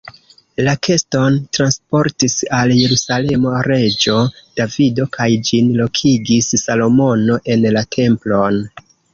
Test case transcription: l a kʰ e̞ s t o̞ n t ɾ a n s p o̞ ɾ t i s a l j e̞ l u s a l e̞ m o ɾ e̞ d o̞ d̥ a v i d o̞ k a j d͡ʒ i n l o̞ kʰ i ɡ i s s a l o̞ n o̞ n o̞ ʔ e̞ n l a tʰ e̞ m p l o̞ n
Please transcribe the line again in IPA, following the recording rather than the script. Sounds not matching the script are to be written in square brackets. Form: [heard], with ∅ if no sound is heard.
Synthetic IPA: l a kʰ e̞ s t o̞ n t ɾ a n s p o̞ ɾ t i s a l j e̞ [ɾ] u s a l e̞ m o ɾ e̞ [d͡ʒ] o̞ d̥ a v i d o̞ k a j d͡ʒ i n l o̞ kʰ i ɡ i s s a l o̞ [m] o̞ n o̞ ʔ e̞ n l a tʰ e̞ m p l o̞ n